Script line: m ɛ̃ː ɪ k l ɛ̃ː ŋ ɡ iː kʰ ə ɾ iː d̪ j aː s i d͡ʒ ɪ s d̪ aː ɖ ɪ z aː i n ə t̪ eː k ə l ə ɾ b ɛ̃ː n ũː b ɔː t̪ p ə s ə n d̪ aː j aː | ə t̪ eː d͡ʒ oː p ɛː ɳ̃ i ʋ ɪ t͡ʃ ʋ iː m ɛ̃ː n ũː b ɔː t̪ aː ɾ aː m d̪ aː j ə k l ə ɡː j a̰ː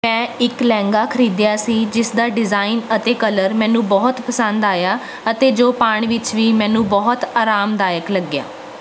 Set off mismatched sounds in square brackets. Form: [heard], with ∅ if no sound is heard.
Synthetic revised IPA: m ɛ̃ː ɪ k l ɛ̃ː ŋ ɡ [aː] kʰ ə ɾ iː d̪ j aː s [iː] d͡ʒ ɪ s d̪ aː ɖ ɪ z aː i n ə t̪ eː k ə l ə ɾ [m] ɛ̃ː n ũː b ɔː t̪ p ə s ə n d̪ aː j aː | ə t̪ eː d͡ʒ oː p [aː] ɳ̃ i ʋ ɪ t͡ʃ ʋ iː m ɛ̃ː n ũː b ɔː t̪ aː ɾ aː m d̪ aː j ə k l ə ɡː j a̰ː